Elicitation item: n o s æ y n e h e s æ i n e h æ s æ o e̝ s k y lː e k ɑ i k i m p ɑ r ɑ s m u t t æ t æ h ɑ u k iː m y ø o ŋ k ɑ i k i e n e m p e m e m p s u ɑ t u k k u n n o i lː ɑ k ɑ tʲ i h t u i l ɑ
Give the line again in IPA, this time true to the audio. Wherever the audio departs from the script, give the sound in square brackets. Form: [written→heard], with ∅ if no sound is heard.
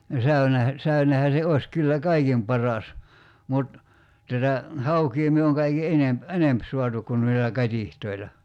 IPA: n o s æ y n e h [e→æ] s æ [i→y] n e h æ s [æ→e] o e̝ s k y lː [e→æ] k ɑ i k i m p ɑ r ɑ s m u t t æ t æ h ɑ u k iː m y ø o ŋ k ɑ i k i e n e m p e [m→n] e m p s u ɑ t u k k u n n o i lː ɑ k ɑ tʲ i h t [u→o] i l ɑ